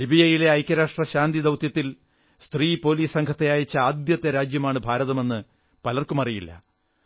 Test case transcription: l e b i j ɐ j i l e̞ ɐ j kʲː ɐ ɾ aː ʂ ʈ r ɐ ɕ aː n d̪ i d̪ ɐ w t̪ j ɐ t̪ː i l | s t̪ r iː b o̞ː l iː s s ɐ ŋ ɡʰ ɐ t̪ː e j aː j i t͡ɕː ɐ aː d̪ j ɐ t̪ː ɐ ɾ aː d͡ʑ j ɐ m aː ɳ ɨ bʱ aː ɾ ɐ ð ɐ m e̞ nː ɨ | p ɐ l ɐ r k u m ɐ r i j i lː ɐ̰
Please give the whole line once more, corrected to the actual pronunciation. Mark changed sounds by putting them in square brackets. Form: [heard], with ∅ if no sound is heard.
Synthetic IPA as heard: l [i] b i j ɐ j i l e̞ ɐ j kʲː ɐ ɾ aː ʂ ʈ r ɐ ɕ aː n d̪ i d̪ ɐ w t̪ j ɐ t̪ː i l | s t̪ r iː [p] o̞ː l iː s s ɐ ŋ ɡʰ ɐ t̪ː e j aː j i t͡ɕː ɐ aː d̪ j ɐ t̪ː ɐ ɾ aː d͡ʑ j ɐ m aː ɳ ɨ bʱ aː ɾ ɐ ð ɐ m e̞ nː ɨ | p ɐ l ɐ r k u m ɐ r i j i lː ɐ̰